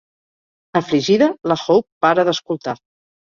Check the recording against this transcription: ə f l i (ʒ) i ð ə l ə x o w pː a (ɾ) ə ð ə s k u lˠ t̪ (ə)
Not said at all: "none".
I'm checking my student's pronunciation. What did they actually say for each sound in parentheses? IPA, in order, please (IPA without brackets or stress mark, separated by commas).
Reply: ʒ, ɾ, a